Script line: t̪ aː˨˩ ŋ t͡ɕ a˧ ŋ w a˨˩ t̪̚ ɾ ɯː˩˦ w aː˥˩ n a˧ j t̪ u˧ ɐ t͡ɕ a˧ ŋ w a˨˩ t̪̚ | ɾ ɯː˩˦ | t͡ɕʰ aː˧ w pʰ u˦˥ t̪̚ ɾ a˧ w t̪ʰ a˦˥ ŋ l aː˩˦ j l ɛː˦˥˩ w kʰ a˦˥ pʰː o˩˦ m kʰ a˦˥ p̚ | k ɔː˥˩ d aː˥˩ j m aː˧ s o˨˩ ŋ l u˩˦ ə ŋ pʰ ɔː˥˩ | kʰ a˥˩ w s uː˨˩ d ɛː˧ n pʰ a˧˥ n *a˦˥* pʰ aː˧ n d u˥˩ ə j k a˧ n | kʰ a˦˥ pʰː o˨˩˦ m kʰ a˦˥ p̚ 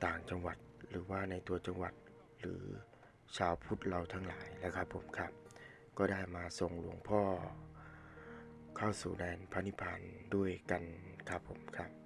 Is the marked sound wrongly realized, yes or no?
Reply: yes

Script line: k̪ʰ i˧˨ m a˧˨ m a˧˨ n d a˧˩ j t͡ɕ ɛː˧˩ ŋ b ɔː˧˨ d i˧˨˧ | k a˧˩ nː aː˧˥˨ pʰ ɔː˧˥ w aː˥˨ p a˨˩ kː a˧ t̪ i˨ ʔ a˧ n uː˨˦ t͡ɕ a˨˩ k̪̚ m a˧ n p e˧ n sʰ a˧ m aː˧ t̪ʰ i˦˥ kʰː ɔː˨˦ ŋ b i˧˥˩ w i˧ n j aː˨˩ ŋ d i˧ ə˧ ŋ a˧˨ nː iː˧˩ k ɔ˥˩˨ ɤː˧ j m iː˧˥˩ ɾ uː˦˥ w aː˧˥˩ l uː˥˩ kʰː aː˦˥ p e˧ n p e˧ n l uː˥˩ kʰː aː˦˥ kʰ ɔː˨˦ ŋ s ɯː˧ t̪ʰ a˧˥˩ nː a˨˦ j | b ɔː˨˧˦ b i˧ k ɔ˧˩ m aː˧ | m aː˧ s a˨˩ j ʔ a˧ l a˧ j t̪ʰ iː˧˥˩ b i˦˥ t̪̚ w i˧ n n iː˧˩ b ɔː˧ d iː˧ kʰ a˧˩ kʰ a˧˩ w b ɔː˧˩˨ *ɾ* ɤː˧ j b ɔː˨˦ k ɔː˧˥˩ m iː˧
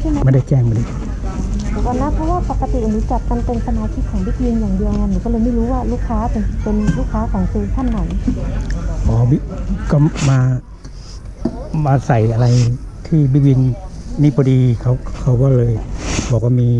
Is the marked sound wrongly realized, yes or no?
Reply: yes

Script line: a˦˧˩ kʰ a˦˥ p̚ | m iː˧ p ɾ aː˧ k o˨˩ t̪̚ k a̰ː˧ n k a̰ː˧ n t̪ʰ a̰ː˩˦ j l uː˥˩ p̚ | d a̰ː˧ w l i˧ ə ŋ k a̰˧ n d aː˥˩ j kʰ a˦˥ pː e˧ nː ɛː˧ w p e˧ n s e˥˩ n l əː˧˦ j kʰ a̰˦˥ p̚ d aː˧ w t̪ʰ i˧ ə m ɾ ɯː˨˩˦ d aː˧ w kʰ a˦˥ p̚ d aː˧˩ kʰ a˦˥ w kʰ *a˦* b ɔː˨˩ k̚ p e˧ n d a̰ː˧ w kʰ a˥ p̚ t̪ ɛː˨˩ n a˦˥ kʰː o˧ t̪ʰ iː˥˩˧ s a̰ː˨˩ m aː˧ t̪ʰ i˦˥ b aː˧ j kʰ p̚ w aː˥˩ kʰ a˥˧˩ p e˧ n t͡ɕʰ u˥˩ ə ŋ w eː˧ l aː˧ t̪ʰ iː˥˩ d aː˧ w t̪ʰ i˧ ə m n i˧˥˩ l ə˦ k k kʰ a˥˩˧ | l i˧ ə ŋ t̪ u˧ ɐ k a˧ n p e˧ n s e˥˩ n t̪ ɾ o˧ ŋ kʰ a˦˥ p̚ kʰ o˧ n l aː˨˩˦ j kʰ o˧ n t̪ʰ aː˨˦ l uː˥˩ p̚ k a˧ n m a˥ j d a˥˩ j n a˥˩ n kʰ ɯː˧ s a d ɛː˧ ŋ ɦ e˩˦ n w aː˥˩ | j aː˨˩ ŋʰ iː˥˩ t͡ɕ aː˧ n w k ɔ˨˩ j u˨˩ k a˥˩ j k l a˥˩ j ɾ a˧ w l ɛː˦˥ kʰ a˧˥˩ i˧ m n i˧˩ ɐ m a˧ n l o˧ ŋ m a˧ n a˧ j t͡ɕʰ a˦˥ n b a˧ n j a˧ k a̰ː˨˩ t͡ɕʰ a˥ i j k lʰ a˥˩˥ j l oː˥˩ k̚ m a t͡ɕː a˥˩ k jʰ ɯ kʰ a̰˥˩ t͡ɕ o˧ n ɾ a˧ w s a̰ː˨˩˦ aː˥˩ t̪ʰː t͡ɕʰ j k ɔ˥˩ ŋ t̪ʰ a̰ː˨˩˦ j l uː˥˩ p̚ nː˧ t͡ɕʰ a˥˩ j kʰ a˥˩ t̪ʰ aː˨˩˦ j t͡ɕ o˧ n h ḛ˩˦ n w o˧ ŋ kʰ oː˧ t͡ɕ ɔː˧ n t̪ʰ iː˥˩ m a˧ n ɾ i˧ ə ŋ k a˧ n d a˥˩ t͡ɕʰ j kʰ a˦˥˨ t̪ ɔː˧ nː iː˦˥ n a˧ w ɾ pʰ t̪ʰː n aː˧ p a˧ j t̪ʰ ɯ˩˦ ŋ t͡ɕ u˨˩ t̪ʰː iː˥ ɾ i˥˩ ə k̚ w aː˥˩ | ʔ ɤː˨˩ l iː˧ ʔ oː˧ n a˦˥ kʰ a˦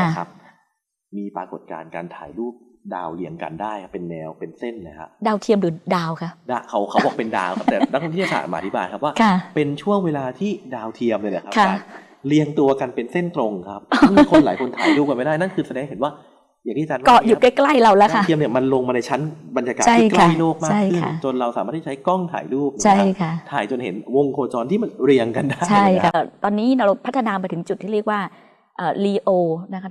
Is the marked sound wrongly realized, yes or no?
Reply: no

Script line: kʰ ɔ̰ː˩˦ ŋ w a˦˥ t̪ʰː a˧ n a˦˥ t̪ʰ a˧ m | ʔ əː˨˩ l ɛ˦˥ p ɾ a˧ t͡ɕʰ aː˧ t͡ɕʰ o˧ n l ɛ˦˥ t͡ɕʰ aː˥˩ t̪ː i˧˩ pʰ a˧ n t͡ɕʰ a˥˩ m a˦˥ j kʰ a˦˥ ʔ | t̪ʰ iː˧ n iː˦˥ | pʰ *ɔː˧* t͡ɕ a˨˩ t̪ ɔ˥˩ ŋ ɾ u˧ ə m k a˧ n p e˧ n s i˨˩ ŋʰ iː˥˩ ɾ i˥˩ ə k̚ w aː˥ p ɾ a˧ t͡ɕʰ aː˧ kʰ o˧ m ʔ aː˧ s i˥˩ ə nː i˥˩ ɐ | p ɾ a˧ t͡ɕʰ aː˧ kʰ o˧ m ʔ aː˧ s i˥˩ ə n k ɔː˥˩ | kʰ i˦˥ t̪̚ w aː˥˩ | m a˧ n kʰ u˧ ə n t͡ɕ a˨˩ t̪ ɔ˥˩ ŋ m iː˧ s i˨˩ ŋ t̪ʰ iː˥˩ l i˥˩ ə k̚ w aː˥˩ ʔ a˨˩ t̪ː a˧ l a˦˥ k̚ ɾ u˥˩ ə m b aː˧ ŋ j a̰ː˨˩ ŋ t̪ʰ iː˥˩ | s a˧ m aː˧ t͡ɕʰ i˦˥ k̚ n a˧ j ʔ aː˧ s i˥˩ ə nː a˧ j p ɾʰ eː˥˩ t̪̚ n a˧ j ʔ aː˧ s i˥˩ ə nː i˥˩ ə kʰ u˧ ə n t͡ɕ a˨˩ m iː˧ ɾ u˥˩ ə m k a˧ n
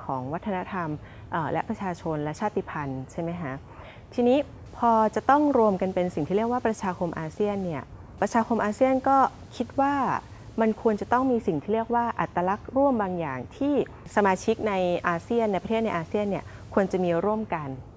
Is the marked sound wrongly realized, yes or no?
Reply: no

